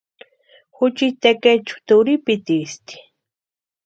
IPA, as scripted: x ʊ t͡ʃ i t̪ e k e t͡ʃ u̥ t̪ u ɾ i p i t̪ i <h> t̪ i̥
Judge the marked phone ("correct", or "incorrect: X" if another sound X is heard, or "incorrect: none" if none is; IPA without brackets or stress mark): incorrect: s